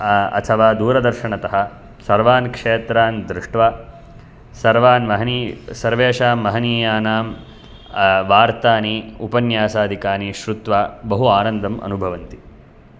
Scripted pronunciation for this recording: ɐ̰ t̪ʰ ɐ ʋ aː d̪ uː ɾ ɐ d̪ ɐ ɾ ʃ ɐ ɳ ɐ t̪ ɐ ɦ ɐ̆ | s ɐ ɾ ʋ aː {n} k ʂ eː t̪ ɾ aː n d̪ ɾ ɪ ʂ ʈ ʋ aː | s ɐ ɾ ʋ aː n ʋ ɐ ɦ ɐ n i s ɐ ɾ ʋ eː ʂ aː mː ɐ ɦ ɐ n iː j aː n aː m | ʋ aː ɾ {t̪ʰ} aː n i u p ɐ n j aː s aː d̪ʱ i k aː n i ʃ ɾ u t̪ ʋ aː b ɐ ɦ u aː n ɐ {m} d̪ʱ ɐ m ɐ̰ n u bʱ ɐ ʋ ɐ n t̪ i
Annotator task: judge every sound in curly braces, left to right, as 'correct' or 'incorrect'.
correct, incorrect: t̪, incorrect: n

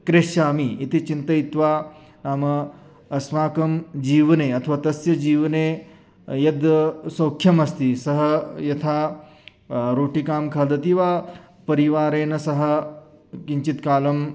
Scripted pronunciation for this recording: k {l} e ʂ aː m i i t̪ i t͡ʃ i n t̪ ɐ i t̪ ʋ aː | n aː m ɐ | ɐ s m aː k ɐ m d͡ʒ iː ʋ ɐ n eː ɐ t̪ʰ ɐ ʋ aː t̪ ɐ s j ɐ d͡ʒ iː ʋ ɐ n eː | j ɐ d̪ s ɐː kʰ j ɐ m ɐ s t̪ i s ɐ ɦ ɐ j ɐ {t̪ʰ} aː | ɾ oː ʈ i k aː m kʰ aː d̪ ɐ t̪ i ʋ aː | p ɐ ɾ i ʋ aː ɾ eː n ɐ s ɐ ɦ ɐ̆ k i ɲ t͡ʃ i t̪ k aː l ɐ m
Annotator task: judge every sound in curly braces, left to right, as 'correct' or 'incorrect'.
incorrect: ɾ, correct

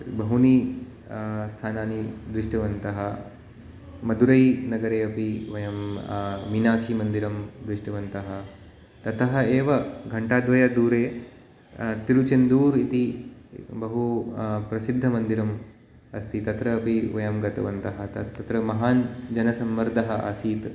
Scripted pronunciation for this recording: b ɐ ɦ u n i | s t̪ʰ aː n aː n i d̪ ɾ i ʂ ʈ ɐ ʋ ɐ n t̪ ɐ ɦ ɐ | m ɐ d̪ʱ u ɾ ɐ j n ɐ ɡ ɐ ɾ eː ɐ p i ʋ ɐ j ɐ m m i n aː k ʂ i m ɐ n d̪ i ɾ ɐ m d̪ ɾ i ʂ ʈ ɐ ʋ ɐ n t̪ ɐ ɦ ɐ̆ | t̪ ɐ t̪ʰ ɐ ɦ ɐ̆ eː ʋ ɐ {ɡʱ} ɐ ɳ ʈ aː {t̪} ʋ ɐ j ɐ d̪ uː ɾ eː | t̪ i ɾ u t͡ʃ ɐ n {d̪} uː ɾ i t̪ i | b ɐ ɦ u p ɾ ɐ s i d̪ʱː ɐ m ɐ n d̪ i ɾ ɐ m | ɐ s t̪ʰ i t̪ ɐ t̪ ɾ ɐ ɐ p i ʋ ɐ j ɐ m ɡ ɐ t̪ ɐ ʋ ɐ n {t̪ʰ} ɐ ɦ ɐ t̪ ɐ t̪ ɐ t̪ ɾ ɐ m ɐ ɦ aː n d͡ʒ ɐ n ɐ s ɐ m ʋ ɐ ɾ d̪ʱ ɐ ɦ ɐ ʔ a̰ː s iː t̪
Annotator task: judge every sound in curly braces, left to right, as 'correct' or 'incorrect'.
correct, incorrect: d̪, correct, incorrect: t̪

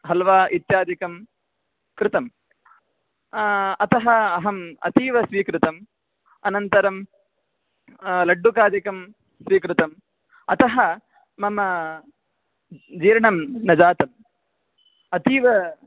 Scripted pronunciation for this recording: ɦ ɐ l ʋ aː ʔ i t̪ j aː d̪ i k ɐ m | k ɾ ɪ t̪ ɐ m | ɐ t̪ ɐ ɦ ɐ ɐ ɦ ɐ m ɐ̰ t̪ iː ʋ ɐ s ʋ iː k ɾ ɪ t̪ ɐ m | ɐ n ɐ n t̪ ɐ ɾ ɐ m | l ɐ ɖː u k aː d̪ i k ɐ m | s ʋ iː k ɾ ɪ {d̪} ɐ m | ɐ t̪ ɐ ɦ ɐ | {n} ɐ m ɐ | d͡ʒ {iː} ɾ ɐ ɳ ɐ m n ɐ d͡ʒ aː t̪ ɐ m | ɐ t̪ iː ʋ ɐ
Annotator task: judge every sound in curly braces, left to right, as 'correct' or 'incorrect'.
incorrect: t̪, incorrect: m, correct

